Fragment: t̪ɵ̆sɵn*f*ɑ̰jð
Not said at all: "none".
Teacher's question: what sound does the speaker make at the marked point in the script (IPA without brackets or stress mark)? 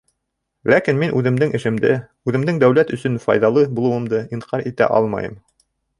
f